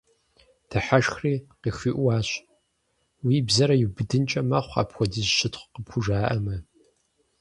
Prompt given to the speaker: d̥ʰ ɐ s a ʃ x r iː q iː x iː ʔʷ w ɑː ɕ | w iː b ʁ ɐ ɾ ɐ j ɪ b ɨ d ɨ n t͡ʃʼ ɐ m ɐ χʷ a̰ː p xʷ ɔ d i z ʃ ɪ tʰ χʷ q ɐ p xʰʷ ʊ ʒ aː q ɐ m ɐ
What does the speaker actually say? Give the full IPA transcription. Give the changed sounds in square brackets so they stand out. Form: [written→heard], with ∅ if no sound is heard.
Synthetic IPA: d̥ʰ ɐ [s→ħ] a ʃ x r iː q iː x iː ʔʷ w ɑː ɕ | w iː b [ʁ→z] ɐ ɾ ɐ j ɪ b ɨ d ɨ n t͡ʃʼ ɐ m ɐ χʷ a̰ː p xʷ ɔ d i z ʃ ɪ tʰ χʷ q [ɐ→ə] p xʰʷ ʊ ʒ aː [q→ʔ] ɐ m ɐ